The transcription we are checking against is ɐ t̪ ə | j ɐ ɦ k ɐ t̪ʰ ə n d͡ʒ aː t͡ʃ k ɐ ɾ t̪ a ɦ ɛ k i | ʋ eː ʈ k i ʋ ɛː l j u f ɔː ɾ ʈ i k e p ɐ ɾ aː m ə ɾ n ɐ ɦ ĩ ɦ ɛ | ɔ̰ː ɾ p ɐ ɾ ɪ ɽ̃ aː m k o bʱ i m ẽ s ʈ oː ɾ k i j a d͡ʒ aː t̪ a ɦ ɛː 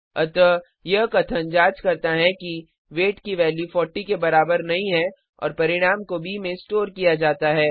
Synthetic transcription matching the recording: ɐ t̪ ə | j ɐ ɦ k ɐ t̪ʰ ə n d͡ʒ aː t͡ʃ k ɐ ɾ t̪ a ɦ ɛ k i | ʋ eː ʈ k i ʋ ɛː l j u f ɔː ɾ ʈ i k e b ɐ ɾ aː b ə ɾ n ɐ ɦ ĩ ɦ ɛ | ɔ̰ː ɾ p ɐ ɾ ɪ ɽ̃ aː m k o bʱ i m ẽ s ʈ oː ɾ k i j a d͡ʒ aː t̪ a ɦ ɛː